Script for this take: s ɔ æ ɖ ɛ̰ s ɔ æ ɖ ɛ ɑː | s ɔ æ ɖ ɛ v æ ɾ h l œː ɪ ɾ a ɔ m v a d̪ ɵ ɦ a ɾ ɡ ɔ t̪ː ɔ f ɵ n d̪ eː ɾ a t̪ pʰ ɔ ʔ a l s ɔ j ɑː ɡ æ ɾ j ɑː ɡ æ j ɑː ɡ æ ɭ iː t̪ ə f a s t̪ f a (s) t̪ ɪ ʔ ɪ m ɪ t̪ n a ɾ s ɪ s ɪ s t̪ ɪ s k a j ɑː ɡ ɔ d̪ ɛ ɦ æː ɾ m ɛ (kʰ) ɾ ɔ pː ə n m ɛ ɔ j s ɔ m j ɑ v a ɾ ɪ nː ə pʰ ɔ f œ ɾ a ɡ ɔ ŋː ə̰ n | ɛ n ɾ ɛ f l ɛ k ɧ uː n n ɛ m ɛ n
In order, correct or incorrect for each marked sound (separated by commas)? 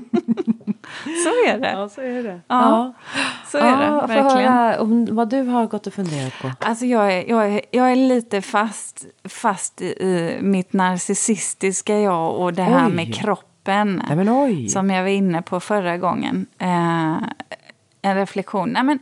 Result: correct, correct